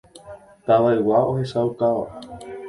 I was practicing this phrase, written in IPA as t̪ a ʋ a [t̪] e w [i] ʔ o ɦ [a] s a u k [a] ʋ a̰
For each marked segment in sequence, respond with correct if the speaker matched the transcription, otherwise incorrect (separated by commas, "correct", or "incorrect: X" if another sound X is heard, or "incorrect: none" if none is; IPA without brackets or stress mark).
incorrect: none, incorrect: a, incorrect: e, correct